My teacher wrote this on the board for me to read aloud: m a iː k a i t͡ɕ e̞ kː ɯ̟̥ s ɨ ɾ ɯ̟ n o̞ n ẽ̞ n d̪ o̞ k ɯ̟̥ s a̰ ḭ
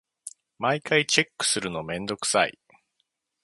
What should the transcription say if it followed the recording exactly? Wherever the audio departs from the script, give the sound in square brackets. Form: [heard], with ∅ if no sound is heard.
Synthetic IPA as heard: m a [i] k a i t͡ɕ e̞ kː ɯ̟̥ s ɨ ɾ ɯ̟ n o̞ [m] ẽ̞ n d̪ o̞ k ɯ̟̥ s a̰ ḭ